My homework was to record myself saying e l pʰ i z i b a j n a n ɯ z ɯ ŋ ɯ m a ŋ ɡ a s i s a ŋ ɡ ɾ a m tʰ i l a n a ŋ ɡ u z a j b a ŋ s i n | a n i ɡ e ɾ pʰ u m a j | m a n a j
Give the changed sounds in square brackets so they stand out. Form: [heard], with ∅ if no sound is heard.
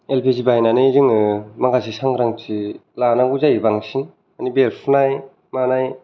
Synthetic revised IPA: e l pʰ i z i b a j n a n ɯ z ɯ ŋ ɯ m a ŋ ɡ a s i s a ŋ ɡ ɾ a [ŋ] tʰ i l a n a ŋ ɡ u z a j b a ŋ s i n | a n i [b] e ɾ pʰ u [n] a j | m a n a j